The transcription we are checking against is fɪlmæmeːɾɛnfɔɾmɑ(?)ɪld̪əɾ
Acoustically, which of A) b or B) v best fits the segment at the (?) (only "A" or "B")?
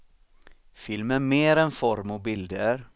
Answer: A